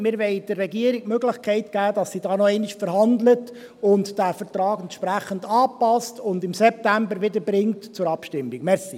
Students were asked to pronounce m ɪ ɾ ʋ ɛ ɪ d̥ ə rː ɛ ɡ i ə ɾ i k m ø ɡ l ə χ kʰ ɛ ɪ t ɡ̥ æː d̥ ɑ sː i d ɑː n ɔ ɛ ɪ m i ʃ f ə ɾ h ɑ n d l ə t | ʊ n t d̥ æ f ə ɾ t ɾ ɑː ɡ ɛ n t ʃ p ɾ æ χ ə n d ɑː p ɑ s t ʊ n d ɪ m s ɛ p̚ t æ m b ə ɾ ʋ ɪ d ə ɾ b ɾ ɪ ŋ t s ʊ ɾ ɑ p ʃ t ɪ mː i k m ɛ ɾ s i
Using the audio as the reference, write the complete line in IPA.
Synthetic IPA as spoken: m ɪ ɾ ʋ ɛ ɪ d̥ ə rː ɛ ɡ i ə ɾ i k m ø ɡ l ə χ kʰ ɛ ɪ t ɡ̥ æː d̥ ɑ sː i d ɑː n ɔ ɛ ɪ n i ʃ f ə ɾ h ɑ n d l ə t | ʊ n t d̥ æ f ə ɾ t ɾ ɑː ɡ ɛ n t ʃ p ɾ æ χ ə n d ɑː p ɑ s t ʊ n d ɪ m s ɛ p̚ t æ m b ə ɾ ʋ ɪ d ə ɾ b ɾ ɪ ŋ t t͡s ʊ ɾ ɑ p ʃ t ɪ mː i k m ɛ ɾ s i